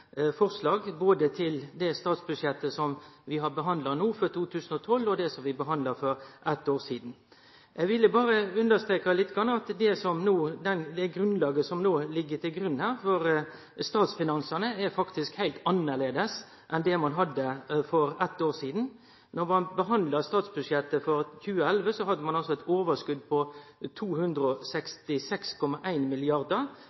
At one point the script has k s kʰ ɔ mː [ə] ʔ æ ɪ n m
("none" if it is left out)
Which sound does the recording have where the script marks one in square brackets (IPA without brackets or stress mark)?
ɑ